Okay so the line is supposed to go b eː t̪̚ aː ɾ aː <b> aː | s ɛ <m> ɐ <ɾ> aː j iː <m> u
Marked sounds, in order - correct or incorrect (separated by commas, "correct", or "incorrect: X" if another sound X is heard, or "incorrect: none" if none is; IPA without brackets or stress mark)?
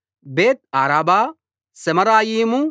correct, correct, correct, correct